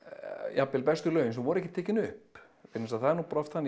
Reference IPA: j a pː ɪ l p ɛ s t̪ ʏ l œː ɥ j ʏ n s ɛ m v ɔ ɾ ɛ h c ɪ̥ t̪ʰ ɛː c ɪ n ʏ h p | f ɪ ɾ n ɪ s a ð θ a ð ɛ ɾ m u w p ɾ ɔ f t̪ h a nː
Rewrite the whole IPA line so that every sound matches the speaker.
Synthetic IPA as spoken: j a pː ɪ l p ɛ s t̪ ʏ l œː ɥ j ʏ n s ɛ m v ɔ ɾ ɛ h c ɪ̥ t̪ʰ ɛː c ɪ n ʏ h p | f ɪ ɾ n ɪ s a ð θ a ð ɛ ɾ n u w p ɾ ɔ f t̪ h a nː